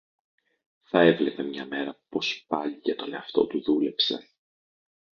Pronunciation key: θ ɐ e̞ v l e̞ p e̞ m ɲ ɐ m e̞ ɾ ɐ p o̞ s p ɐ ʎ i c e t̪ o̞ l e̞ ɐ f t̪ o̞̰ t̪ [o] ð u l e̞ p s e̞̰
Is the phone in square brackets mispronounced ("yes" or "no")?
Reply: yes